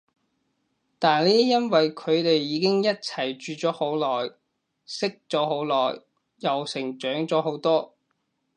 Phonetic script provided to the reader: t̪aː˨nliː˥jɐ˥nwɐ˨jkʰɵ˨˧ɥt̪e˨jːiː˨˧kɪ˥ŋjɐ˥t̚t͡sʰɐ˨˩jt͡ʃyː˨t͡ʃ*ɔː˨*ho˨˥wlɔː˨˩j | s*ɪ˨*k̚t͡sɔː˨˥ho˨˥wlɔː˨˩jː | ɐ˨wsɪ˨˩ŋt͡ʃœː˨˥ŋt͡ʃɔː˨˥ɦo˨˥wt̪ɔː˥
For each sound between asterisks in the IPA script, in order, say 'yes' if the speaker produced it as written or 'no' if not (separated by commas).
no, no